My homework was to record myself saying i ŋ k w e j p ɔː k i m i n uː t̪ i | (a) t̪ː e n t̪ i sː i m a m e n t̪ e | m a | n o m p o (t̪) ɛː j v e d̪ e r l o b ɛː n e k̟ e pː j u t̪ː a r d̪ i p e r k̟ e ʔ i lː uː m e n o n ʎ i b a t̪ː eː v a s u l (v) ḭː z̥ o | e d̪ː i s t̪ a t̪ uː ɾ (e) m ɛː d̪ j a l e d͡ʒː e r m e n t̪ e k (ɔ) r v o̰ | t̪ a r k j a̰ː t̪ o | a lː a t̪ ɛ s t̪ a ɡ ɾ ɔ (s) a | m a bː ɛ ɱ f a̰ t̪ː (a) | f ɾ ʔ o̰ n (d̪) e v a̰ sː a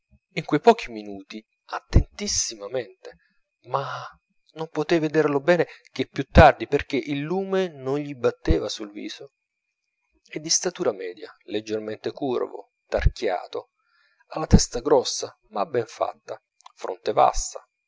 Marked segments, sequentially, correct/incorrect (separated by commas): correct, correct, correct, incorrect, incorrect, incorrect, correct, incorrect